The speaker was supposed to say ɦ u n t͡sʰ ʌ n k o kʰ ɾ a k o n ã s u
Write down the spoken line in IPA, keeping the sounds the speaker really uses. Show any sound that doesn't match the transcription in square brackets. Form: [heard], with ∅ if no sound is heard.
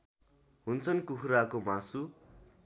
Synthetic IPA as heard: ɦ u n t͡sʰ ʌ n k [u] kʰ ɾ a k o [m] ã s u